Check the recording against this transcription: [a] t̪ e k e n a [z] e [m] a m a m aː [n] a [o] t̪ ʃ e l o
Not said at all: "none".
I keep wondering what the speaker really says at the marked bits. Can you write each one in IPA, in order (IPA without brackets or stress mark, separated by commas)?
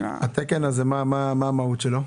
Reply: a, z, m, m, u